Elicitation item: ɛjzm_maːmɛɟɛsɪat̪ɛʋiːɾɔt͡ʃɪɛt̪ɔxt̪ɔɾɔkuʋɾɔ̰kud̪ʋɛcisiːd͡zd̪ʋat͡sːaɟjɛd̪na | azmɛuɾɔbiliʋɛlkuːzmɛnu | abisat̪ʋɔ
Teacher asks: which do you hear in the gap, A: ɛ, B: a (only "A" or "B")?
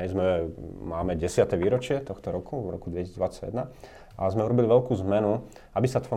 A